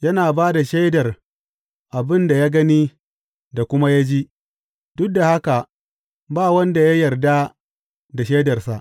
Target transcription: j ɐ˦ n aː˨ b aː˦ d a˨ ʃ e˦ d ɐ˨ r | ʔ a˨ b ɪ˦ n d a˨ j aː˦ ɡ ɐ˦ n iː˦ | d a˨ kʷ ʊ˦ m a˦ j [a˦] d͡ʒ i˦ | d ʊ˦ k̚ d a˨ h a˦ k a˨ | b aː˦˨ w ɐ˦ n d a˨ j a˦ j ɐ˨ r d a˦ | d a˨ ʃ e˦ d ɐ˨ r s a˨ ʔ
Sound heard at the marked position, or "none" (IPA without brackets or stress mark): a˦